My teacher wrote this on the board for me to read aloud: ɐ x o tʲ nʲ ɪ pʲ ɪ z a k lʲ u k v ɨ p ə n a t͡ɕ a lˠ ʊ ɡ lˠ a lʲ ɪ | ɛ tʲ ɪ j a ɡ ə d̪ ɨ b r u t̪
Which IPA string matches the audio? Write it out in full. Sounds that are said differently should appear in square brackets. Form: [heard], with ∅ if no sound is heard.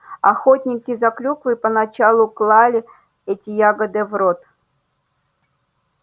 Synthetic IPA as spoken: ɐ x o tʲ nʲ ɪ [kʲ] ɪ z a k lʲ u k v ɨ p ə n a t͡ɕ a lˠ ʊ [k] lˠ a lʲ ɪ | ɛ tʲ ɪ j a ɡ ə d̪ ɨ [v] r [o] t̪